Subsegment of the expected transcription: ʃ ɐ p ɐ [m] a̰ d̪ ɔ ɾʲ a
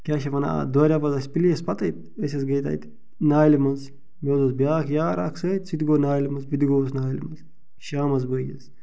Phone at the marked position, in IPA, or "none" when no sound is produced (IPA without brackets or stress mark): n